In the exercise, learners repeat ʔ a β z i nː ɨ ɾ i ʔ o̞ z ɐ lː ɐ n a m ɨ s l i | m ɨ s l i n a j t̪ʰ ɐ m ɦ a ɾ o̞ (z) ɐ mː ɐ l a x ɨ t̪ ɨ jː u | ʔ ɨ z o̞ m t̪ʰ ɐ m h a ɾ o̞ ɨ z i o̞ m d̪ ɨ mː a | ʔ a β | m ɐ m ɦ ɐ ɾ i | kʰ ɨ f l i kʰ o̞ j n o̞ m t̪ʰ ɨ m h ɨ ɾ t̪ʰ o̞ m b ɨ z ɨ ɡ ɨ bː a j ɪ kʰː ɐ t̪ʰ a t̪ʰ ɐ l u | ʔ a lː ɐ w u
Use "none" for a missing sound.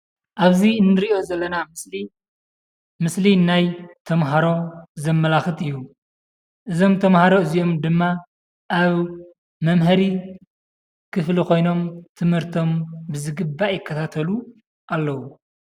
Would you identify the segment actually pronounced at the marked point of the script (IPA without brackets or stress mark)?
z